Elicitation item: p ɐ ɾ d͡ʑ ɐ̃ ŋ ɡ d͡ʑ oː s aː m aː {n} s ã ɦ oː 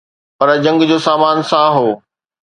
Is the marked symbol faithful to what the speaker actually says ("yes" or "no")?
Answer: yes